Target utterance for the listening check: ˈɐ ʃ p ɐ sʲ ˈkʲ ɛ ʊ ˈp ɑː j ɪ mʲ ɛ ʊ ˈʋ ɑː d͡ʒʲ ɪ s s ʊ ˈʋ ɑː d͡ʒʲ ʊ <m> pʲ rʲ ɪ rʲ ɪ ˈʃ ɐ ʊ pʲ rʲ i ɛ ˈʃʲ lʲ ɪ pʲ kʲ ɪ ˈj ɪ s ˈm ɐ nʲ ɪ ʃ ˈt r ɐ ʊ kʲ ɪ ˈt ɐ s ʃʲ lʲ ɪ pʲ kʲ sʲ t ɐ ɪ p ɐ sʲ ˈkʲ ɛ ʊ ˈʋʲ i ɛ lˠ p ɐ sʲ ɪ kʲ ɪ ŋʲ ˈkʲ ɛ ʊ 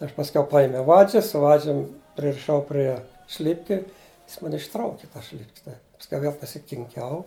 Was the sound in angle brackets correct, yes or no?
yes